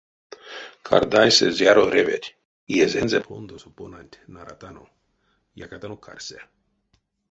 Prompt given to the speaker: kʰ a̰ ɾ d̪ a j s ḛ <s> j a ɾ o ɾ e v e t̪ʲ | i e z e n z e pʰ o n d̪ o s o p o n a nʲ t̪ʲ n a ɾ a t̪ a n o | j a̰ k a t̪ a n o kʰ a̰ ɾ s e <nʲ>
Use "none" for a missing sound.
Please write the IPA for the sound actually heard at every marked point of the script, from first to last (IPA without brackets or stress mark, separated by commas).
z, none